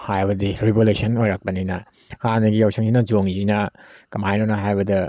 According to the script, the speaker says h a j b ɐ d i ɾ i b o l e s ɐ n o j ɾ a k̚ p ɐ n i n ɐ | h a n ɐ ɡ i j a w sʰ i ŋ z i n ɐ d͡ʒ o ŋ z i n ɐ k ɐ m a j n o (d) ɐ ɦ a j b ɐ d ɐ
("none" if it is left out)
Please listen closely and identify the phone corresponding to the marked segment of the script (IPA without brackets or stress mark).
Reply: n